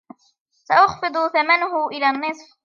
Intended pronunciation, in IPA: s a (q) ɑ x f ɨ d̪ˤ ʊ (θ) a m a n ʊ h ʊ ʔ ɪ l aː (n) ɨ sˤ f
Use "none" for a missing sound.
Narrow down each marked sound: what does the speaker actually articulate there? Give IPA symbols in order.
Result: ʔ, θ, nː

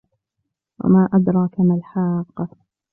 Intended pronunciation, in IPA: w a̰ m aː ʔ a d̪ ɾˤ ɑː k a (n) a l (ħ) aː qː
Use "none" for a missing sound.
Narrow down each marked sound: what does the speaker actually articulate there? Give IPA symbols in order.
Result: m, ħ

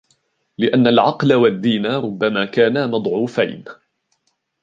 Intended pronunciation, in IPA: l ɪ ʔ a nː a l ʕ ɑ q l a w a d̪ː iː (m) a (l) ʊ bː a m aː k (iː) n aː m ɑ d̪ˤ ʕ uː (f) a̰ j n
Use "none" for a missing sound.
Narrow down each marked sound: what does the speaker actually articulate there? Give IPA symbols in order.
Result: n, ɾ, aː, f

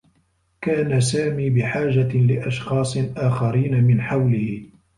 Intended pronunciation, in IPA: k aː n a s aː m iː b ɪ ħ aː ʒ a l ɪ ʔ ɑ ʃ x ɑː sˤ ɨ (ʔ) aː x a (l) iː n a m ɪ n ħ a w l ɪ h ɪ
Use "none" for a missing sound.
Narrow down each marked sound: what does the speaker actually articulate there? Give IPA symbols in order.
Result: ʔ, ɾ

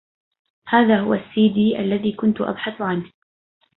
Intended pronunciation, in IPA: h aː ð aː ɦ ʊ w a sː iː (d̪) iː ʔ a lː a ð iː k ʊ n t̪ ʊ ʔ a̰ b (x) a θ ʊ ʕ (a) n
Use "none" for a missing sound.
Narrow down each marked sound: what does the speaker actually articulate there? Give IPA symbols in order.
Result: d̪, ħ, a

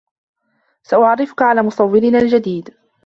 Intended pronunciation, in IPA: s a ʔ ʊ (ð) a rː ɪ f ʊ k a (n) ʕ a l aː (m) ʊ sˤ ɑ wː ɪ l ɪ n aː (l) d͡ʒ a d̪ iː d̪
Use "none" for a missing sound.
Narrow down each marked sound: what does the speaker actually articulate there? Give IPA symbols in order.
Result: ʕ, none, m, l

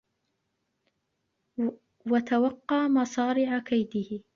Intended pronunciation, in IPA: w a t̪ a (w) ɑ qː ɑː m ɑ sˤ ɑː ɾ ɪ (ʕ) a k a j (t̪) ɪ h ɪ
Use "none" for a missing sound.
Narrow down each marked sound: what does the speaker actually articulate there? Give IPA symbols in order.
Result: w, ʕ, d̪

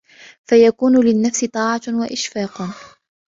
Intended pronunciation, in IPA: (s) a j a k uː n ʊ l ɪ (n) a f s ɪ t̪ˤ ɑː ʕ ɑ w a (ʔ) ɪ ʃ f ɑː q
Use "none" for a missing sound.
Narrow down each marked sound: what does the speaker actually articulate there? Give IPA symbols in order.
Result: f, nː, ʔ

